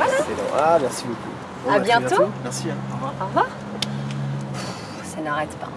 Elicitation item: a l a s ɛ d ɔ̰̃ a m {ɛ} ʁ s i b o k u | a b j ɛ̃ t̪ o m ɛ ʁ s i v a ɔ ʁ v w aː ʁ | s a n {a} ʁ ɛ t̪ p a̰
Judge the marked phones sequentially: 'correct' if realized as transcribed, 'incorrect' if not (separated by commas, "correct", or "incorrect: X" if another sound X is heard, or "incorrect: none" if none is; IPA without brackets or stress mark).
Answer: correct, correct